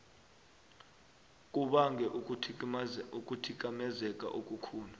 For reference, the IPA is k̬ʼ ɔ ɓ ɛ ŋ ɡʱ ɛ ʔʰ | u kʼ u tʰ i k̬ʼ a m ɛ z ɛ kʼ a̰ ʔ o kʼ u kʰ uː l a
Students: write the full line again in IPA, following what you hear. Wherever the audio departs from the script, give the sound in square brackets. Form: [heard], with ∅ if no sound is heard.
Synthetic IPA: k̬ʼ [u] ɓ [a] ŋ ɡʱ ɛ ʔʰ | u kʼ u tʰ i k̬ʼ a m ɛ z ɛ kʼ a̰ ʔ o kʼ u kʰ uː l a

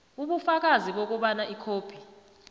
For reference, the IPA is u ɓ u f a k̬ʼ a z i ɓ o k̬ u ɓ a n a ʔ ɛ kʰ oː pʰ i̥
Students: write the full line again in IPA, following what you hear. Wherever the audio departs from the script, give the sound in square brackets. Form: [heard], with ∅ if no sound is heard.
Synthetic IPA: u ɓ u f a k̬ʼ a z i ɓ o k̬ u ɓ a n a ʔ [i] kʰ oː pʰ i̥

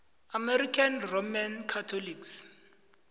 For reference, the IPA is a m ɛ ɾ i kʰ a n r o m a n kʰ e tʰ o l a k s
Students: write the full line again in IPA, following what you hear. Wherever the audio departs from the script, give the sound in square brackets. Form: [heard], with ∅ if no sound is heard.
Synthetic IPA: a m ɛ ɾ i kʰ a n r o m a n kʰ [a] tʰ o l [i] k s

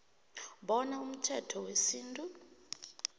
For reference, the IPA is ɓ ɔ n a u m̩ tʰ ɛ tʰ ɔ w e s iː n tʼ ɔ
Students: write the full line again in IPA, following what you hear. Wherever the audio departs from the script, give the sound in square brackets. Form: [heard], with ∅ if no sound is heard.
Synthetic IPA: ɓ ɔ n a u m̩ tʰ ɛ tʰ ɔ w e s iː n tʼ [u]

